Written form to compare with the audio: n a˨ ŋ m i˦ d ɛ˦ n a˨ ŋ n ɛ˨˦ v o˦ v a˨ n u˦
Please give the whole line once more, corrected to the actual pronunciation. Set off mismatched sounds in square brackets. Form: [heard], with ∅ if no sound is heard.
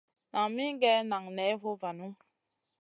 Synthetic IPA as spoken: n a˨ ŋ m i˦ [ɡ] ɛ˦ n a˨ ŋ n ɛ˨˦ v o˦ v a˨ n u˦